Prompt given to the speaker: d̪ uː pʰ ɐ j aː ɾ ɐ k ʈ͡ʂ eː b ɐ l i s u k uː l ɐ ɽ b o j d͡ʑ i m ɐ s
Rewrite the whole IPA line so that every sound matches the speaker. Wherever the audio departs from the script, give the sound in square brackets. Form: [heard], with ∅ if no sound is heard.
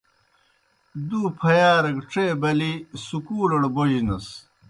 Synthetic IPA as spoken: d̪ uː pʰ ɐ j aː ɾ ɐ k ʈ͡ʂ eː b ɐ l i s u k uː l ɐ ɽ b o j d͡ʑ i [n] ɐ s